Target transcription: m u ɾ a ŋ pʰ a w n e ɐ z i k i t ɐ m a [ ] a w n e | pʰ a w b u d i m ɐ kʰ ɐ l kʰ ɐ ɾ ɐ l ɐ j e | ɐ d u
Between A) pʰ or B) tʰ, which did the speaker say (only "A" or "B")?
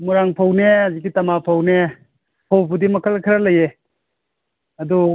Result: A